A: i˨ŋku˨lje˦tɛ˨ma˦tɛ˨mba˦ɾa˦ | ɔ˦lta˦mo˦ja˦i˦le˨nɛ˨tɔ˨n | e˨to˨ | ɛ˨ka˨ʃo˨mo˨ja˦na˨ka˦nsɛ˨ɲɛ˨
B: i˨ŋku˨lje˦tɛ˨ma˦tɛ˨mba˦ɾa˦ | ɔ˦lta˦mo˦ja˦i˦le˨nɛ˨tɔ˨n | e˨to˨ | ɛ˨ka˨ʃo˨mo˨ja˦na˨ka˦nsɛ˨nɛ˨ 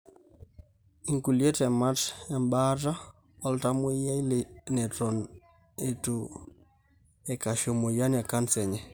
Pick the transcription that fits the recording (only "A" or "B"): A